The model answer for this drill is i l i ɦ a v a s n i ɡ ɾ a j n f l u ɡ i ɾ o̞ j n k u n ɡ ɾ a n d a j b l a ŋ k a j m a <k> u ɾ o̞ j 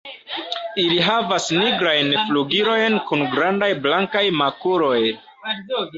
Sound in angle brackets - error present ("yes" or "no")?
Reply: no